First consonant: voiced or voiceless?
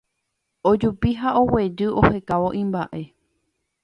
voiced